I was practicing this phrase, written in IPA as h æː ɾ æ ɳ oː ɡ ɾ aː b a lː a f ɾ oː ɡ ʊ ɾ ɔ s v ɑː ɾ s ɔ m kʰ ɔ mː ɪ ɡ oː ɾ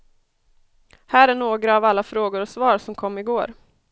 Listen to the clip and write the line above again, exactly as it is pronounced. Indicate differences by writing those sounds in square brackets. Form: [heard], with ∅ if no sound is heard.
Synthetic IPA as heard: h æː ɾ æ ɳ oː ɡ ɾ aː [v] a lː a f ɾ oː ɡ ʊ ɾ ɔ s v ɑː ɾ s ɔ m kʰ ɔ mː ɪ ɡ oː ɾ